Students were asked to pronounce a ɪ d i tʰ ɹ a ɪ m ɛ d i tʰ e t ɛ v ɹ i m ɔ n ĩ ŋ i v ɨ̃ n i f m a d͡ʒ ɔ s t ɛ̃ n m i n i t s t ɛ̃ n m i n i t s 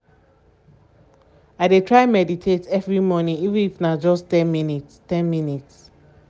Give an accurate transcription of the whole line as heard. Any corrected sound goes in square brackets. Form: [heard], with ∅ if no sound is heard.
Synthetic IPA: a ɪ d [e] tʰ ɹ a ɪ m ɛ d i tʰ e t ɛ v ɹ i m ɔ n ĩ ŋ i v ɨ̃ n i f [n] a d͡ʒ ɔ s t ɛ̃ n m i n i t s t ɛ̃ n m i n i t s